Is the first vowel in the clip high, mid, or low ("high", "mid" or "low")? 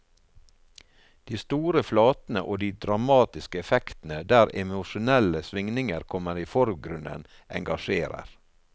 high